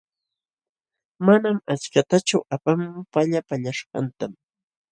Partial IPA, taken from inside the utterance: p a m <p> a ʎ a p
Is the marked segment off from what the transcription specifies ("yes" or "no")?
no